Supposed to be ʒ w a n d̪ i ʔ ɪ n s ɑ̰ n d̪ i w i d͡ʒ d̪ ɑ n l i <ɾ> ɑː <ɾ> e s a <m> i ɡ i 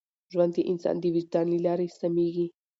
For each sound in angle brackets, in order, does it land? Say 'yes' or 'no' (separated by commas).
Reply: no, yes, yes